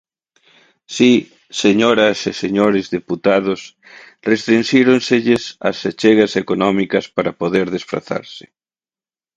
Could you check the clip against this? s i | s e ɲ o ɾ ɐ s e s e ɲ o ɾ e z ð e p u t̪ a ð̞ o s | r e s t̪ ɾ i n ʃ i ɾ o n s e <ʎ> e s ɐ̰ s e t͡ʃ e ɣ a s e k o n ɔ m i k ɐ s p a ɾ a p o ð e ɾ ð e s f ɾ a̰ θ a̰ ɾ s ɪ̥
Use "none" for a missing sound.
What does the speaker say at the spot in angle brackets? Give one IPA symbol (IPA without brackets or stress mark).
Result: ʎ